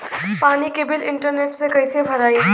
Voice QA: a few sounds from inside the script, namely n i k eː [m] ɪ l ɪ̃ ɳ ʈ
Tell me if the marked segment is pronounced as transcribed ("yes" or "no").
no